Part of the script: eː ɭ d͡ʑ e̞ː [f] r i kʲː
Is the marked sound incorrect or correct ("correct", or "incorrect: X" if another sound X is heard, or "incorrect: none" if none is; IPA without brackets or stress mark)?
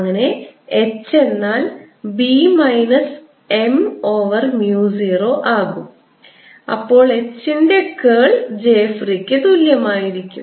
correct